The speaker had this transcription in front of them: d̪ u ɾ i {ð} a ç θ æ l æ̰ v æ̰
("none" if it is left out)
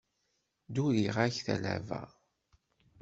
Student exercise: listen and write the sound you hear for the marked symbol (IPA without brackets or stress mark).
ʁ